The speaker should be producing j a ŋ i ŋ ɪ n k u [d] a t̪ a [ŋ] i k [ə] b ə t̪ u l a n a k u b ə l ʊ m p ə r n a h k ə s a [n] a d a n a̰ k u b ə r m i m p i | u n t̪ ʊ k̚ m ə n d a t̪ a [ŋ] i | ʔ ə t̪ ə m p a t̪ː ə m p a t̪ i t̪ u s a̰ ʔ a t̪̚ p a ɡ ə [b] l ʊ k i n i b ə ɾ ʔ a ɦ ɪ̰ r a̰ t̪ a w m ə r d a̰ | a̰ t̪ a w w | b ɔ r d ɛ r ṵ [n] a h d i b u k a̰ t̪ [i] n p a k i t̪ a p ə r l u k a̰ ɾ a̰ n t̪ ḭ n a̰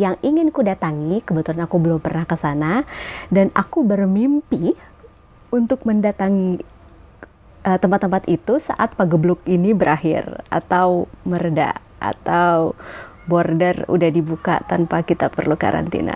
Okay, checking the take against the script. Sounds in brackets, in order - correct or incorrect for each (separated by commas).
correct, correct, correct, correct, correct, correct, incorrect, incorrect